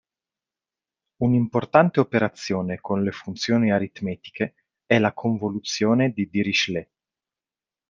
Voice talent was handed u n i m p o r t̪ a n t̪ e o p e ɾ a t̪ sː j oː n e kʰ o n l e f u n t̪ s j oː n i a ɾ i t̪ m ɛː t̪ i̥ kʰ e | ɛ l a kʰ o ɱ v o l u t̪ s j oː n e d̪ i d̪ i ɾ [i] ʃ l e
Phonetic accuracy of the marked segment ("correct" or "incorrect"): correct